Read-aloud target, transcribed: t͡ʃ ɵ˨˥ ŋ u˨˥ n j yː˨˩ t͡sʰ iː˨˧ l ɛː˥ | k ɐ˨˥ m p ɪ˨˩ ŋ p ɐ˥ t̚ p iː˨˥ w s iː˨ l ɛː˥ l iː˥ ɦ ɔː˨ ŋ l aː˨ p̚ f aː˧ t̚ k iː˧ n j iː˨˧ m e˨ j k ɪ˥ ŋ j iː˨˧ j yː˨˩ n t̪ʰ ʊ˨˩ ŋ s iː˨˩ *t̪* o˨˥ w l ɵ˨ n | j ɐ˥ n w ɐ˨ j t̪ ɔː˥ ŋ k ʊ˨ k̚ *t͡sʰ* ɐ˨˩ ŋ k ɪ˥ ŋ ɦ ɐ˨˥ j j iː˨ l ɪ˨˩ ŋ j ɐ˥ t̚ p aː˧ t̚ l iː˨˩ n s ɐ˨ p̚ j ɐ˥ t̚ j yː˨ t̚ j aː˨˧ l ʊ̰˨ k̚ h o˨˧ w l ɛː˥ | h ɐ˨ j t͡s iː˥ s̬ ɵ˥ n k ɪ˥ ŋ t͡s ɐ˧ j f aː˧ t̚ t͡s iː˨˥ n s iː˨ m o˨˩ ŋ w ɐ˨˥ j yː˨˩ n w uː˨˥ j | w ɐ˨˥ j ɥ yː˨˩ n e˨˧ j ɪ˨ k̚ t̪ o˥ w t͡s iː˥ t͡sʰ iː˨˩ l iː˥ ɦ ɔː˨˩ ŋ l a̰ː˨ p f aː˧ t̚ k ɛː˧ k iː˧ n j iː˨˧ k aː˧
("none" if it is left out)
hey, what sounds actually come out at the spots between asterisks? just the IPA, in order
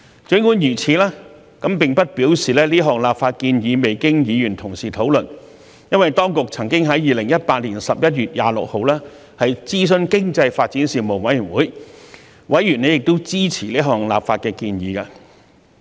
t̪ʰ, t͡sʰ

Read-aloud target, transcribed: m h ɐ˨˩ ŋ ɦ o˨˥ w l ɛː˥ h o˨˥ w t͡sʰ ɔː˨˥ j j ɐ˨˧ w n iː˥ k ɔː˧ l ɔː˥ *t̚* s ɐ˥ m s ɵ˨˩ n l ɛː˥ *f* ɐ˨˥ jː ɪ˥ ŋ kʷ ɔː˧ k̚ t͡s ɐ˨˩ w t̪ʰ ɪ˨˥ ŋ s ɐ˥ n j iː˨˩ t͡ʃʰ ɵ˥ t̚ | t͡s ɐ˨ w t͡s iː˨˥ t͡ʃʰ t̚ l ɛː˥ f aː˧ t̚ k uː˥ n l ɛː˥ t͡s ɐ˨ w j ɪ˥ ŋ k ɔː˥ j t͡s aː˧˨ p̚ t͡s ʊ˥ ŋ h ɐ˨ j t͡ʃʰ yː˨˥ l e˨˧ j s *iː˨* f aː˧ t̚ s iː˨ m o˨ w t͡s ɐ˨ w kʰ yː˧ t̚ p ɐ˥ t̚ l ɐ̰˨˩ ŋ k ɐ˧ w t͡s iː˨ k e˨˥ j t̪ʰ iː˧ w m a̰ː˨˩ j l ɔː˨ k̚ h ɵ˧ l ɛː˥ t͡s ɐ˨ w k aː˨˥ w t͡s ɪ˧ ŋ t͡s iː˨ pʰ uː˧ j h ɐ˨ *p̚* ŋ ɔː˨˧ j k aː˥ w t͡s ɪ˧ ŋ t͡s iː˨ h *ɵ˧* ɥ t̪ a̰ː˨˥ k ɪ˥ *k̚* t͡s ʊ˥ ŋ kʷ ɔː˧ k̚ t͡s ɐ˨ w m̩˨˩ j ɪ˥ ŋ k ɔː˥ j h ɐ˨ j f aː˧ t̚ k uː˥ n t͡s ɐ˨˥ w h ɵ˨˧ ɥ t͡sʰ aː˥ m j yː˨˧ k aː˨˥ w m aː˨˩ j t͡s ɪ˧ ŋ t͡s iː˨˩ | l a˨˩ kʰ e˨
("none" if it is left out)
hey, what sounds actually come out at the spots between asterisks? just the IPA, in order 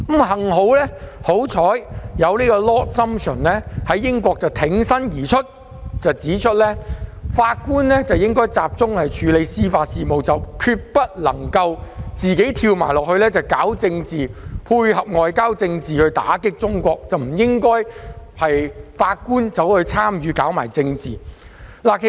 t̚, h, iː˥, p̚, ɵ˧, k̚

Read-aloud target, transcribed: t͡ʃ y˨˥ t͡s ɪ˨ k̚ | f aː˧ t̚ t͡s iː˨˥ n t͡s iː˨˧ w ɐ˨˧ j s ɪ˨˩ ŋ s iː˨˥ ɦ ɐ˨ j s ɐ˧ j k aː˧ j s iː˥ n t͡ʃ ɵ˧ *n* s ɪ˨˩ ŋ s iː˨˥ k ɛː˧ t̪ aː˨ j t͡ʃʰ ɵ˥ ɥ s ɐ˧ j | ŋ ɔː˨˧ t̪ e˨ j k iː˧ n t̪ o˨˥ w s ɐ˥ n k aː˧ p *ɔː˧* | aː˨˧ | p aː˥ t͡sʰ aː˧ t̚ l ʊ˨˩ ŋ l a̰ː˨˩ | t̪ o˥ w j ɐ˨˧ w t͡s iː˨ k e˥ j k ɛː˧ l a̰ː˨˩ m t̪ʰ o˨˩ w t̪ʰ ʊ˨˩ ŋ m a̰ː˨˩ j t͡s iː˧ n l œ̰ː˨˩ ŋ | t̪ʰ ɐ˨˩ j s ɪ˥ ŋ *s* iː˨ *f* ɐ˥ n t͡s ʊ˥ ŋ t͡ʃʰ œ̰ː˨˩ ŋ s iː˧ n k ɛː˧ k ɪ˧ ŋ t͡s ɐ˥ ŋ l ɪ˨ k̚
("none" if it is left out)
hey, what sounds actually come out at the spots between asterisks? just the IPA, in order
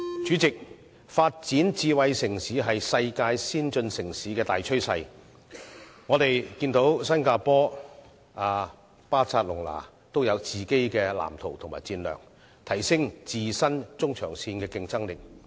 n, ɔː˥, t͡s, s

